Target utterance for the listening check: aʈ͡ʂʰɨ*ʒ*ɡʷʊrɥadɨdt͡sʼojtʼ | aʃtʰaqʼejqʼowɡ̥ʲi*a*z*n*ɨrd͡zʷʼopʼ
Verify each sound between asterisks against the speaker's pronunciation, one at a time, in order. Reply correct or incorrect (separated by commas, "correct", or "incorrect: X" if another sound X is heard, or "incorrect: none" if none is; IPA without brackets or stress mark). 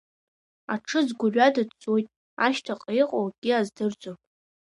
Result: incorrect: z, correct, incorrect: d